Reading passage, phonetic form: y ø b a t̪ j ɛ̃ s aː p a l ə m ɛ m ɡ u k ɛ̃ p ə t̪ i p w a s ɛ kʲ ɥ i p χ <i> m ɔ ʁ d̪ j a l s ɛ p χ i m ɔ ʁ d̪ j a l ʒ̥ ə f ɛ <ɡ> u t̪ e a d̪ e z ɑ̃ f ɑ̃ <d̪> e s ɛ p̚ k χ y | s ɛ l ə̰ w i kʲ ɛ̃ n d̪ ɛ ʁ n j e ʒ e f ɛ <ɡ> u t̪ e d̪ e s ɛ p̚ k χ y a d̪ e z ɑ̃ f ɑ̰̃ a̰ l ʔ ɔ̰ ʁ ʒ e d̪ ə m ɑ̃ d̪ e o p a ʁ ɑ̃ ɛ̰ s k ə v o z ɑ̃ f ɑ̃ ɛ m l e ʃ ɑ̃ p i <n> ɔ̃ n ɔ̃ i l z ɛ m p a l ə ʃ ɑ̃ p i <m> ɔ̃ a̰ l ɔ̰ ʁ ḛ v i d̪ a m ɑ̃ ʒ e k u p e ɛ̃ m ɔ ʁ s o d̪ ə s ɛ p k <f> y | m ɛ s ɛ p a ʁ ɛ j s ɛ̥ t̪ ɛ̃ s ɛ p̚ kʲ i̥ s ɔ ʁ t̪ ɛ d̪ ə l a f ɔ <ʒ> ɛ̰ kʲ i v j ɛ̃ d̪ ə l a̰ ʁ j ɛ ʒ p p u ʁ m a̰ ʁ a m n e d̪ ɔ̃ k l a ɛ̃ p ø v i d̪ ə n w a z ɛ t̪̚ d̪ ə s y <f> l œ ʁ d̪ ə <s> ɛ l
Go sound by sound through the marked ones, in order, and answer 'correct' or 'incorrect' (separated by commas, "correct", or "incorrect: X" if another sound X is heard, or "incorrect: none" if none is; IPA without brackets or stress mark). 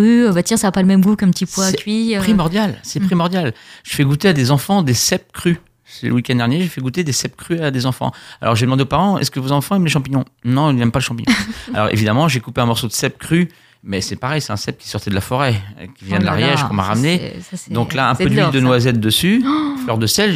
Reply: correct, correct, correct, correct, incorrect: ɲ, incorrect: ɲ, incorrect: χ, incorrect: ʁ, correct, correct